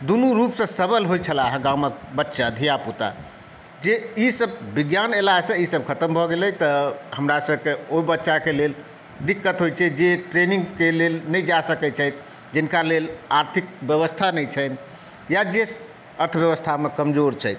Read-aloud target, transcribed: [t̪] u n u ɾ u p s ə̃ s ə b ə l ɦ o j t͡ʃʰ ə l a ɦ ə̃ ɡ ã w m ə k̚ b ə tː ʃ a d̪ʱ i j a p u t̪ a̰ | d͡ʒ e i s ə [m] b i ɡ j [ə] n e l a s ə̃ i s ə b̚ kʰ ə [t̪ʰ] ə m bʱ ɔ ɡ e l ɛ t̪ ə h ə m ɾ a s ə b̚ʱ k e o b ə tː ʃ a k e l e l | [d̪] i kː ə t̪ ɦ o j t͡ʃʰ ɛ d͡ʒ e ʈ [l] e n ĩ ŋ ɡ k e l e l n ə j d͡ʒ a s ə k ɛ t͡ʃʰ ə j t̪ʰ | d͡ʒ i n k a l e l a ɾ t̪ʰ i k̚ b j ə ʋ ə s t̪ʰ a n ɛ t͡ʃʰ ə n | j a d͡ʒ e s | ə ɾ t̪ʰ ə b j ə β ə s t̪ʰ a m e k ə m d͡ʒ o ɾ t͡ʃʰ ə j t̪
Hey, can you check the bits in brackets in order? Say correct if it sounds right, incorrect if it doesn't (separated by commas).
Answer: incorrect, incorrect, incorrect, incorrect, correct, incorrect